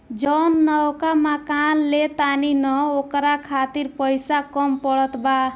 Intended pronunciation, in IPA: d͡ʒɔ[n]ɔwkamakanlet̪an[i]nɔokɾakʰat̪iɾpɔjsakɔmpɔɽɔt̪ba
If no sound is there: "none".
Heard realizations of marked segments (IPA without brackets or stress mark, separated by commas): nː, i